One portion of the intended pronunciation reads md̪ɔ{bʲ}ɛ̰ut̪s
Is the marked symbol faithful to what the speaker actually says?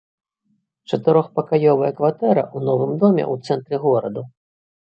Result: no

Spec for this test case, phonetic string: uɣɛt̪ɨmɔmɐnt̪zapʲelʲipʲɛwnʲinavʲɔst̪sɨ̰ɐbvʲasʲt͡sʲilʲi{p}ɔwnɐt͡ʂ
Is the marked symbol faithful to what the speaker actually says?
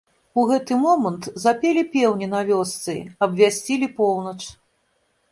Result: yes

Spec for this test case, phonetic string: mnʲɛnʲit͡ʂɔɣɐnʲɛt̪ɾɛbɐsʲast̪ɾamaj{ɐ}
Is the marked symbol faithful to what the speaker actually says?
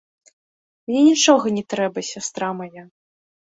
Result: no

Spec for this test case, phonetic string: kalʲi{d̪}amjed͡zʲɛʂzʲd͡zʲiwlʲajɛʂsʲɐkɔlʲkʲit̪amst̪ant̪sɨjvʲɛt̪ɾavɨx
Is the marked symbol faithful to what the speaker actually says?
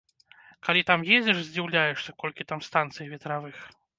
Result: no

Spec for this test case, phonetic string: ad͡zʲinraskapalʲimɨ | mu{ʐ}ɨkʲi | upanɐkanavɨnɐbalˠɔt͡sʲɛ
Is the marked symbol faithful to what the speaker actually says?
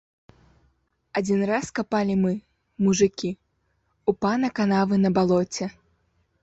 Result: yes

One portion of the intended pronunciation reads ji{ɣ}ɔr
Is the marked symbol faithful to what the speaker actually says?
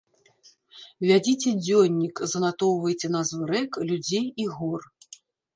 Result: yes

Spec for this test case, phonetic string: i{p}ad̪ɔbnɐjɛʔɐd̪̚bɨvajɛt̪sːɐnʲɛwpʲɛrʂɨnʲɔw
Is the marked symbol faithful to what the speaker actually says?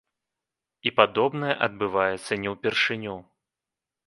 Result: yes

